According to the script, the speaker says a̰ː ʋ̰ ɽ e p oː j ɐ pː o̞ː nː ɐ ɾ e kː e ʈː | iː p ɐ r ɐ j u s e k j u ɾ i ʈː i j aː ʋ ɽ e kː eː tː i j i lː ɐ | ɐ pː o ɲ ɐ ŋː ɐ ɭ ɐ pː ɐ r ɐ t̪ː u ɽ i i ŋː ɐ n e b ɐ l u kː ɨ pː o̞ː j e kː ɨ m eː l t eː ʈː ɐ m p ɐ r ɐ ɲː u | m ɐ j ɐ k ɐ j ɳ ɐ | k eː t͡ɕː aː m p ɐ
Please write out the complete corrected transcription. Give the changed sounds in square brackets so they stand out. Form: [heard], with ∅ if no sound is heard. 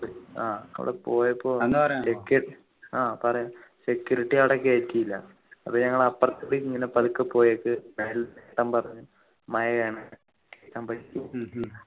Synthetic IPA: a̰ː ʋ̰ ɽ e p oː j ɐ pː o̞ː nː ɐ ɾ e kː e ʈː | [aː] p ɐ r ɐ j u s e k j u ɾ i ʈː i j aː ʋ ɽ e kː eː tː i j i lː ɐ | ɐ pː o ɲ ɐ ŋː ɐ ɭ ɐ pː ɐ r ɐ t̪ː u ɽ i i ŋː ɐ n e [p] ɐ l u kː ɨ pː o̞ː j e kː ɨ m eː l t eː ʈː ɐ m p ɐ r ɐ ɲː u | m ɐ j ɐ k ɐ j ɳ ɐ | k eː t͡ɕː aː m p ɐ